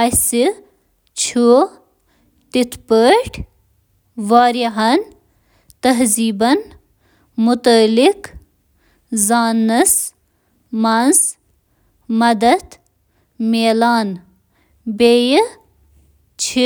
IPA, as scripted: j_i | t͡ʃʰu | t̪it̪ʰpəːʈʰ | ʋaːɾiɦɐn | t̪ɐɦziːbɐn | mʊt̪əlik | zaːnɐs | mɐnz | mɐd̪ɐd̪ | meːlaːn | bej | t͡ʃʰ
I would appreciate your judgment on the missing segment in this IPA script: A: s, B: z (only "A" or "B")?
A